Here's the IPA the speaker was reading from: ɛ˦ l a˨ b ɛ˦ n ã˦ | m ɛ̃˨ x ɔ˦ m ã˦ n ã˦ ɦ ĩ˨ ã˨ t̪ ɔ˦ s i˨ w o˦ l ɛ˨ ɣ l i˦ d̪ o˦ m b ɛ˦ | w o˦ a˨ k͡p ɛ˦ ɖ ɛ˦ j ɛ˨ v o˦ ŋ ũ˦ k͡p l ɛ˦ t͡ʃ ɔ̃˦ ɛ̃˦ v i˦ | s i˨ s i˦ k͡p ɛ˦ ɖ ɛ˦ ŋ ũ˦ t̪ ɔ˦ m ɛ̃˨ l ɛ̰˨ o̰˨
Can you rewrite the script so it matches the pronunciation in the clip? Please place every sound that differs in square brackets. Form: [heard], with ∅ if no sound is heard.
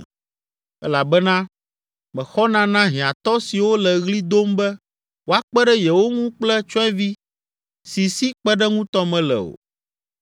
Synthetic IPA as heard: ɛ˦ l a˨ b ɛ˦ n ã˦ | m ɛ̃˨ x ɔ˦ [n] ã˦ n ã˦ ɦ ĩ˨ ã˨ t̪ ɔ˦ s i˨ w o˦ l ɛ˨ ɣ l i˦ d̪ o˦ m b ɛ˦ | w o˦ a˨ k͡p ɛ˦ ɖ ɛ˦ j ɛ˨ [w] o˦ ŋ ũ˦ k͡p l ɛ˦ t͡ʃ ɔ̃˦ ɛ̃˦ v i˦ | s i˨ s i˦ k͡p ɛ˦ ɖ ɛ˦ ŋ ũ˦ t̪ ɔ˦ m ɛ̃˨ l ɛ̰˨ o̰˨

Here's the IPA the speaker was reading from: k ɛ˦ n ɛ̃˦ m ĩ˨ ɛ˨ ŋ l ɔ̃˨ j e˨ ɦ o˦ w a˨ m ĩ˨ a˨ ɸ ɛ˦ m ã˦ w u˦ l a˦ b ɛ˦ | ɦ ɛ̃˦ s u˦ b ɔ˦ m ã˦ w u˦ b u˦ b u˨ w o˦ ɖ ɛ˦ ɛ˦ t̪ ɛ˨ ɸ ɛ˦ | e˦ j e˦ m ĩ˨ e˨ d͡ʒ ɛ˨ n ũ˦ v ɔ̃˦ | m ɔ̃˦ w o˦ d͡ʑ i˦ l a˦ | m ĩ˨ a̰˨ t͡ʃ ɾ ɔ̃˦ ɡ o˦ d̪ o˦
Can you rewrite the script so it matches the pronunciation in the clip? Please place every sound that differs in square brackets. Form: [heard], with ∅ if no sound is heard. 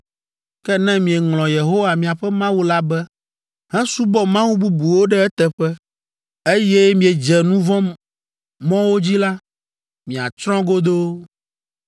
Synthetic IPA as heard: k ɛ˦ n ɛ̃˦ m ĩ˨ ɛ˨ ŋ l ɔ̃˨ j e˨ ɦ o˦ w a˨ m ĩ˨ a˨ ɸ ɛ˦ m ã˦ w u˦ l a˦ b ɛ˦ | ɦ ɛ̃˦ s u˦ b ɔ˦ m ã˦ w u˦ b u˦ b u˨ w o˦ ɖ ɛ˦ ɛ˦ t̪ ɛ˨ ɸ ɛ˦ | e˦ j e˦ m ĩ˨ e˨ d͡ʒ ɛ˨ n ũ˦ v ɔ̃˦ | m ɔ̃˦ w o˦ d͡ʑ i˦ l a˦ | m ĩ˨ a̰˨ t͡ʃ ɾ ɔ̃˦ ɡ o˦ d̪ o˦

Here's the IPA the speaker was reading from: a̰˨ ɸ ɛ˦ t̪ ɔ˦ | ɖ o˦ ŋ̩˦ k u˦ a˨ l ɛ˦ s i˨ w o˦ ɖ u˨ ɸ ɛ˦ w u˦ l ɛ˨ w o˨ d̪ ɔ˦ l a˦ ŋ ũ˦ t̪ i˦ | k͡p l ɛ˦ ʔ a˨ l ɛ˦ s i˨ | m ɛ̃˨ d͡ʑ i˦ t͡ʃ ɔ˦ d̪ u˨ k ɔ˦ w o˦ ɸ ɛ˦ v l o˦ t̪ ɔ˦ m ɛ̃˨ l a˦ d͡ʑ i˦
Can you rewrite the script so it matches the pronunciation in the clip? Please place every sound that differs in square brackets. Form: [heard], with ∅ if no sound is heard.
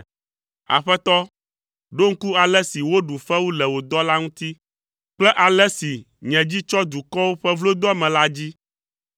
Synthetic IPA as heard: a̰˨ ɸ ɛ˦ t̪ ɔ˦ | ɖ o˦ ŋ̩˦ k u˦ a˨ l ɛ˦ s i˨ w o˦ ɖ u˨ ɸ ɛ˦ w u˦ l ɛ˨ w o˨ d̪ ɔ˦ l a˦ ŋ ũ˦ t̪ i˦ | k͡p l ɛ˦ ʔ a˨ l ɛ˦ s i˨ | [ɲ] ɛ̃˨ d͡ʑ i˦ t͡ʃ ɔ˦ d̪ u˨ k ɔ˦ w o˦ ɸ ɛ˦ v l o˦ [d̪] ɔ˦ m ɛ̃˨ l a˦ d͡ʑ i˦

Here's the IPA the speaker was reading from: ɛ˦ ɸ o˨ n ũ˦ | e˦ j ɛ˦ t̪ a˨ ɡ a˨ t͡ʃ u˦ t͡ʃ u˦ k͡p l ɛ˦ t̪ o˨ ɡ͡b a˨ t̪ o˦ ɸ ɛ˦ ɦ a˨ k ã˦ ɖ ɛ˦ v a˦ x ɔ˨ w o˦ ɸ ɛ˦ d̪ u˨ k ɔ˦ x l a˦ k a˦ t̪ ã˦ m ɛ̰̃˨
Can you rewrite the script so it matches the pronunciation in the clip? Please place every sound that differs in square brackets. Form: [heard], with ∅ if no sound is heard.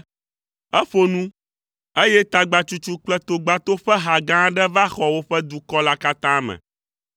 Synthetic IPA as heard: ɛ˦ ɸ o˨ n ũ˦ | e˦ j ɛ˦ t̪ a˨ [ɡ͡b] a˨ t͡ʃ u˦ t͡ʃ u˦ k͡p l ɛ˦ t̪ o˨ ɡ͡b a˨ t̪ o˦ ɸ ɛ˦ ɦ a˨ [ɡ] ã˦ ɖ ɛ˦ v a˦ x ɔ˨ w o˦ ɸ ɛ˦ d̪ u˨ k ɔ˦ [∅] l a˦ k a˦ t̪ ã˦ m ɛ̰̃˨

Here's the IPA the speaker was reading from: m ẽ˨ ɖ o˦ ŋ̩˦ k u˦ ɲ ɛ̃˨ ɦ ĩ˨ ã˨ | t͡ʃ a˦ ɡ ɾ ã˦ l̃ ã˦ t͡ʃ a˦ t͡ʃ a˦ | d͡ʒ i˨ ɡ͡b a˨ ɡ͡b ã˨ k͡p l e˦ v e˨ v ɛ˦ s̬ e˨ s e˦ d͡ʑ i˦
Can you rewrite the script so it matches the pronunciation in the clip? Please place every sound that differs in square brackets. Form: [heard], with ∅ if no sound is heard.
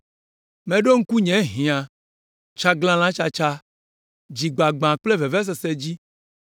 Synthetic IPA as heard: m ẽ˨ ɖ o˦ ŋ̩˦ k u˦ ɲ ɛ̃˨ ɦ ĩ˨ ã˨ | t͡ʃ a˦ ɡ [l] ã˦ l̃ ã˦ t͡ʃ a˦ t͡ʃ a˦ | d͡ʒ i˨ ɡ͡b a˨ ɡ͡b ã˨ k͡p l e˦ v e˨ v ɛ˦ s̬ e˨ s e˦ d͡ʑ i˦

